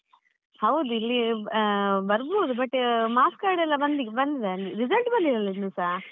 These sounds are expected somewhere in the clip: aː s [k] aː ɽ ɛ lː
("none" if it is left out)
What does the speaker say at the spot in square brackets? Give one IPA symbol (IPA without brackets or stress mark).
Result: k